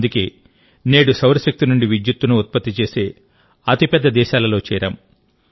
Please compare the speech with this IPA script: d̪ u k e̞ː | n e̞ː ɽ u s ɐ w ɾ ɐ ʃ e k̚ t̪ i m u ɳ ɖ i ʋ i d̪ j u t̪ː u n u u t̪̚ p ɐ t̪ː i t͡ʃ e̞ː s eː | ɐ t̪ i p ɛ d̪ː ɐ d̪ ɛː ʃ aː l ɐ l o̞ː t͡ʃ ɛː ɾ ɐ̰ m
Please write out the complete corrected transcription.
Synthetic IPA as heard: d̪ u k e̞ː | n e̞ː ɽ u s ɐ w ɾ ɐ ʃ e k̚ t̪ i n u ɳ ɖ i ʋ i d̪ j u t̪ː u n u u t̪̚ p ɐ t̪ː i t͡ʃ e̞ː s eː | ɐ t̪ i p ɛ d̪ː ɐ d̪ ɛː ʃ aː l ɐ l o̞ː t͡ʃ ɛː ɾ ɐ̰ m